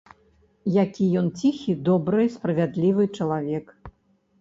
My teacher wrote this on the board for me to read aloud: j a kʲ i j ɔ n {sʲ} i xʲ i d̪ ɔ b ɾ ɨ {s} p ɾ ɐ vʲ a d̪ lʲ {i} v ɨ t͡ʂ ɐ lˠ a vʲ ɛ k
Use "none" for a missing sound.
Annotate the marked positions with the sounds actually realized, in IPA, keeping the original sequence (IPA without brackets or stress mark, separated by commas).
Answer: t͡sʲ, s, i